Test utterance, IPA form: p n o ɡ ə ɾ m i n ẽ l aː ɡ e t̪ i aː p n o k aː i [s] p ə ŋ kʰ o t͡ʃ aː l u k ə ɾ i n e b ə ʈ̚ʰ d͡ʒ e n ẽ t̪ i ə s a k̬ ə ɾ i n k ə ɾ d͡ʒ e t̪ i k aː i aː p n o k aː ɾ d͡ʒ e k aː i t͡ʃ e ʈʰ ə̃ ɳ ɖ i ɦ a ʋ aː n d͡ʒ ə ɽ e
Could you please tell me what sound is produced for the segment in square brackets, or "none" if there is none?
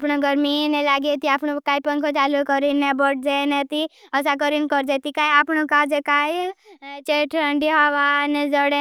none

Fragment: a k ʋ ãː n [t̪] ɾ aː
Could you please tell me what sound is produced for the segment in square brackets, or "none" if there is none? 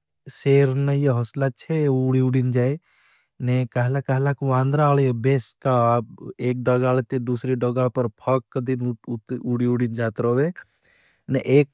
d̪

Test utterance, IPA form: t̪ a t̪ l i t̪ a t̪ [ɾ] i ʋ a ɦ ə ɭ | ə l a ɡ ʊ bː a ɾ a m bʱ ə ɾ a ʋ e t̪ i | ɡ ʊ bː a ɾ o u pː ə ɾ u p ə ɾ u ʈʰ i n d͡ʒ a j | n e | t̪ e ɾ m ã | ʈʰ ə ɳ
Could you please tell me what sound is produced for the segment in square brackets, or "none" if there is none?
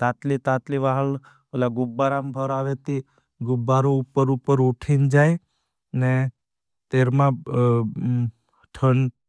l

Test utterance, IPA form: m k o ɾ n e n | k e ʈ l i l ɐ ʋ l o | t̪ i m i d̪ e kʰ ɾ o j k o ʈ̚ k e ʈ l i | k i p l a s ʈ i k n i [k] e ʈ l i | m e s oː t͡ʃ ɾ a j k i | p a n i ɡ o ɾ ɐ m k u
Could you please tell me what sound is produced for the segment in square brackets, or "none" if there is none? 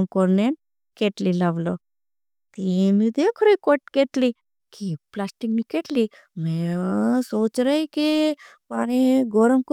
k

